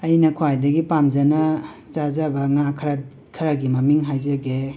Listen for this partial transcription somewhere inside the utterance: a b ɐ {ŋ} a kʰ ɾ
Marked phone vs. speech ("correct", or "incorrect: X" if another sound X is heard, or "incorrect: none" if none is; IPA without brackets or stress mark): correct